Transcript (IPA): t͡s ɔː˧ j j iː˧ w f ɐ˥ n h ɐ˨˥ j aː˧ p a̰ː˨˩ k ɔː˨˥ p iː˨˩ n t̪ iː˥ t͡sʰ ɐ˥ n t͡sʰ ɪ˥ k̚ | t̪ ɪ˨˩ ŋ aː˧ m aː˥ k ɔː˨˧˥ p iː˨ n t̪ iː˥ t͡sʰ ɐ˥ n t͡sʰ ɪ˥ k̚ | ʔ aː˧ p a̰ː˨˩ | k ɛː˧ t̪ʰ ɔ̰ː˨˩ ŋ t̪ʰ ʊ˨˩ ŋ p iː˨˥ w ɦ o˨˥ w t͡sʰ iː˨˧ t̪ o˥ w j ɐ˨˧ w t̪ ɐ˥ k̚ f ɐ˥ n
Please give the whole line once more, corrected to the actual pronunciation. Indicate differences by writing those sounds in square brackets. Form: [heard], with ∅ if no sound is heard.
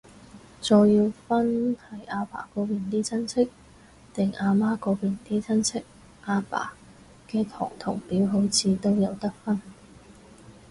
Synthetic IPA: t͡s ɔː˧ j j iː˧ w f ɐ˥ n h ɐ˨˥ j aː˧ p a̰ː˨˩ k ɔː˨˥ p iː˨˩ n t̪ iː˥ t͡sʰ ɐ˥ n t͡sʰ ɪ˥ k̚ | t̪ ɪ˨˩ ŋ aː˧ m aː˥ k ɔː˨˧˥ p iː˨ n t̪ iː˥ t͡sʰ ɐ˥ n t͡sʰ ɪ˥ k̚ | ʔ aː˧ p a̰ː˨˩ | k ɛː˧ t̪ʰ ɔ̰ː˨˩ ŋ t̪ʰ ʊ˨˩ ŋ p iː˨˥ w ɦ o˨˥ w t͡sʰ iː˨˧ t̪ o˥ w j ɐ˨˧ w t̪ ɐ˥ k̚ f ɐ˥ n